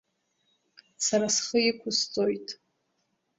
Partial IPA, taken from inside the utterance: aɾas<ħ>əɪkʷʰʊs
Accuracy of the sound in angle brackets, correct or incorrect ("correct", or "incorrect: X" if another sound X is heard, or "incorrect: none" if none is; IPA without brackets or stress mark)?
incorrect: χ